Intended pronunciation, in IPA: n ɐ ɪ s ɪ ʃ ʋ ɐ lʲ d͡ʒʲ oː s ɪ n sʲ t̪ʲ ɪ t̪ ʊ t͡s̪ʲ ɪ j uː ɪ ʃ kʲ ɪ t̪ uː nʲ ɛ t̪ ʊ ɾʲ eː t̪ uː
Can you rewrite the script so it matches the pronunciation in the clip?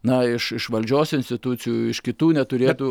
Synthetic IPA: n ɐ ɪ ʃ ɪ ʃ ʋ ɐ lʲ d͡ʒʲ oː s ɪ n sʲ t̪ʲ ɪ t̪ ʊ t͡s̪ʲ ɪ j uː ɪ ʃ kʲ ɪ t̪ uː nʲ ɛ t̪ ʊ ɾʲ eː t̪ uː